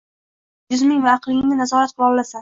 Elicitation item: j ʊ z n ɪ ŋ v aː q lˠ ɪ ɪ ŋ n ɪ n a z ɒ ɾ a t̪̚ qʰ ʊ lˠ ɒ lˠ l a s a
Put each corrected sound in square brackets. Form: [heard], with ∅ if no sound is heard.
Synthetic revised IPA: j ʊ z [m] ɪ ŋ v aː q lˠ ɪ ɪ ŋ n ɪ n a z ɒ ɾ a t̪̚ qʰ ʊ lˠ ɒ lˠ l a s a